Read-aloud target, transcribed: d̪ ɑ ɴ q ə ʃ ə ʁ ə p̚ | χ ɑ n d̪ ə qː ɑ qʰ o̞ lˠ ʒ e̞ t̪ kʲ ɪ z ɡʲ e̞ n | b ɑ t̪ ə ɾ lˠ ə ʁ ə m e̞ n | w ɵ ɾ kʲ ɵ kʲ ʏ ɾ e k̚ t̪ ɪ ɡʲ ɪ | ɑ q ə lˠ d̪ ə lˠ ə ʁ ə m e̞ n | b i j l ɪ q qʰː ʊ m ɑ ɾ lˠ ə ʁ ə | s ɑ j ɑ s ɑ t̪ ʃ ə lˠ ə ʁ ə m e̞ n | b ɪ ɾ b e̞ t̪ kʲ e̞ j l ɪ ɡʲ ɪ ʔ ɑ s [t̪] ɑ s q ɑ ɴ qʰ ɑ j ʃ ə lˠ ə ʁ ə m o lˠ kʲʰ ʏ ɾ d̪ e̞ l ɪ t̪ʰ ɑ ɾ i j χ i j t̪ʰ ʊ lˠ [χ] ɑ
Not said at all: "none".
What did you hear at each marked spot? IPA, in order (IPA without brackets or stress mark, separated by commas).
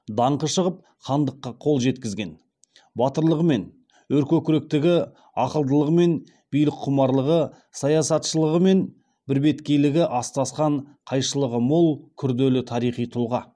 t̪, ʁ